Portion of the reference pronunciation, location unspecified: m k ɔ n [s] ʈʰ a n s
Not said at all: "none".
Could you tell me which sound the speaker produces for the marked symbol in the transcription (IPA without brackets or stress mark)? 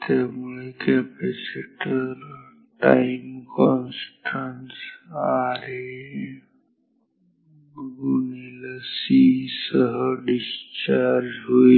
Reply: s